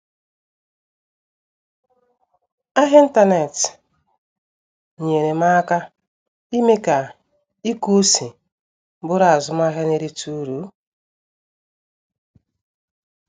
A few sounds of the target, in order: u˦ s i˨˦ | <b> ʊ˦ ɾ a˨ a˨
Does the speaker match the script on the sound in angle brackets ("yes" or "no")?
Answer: yes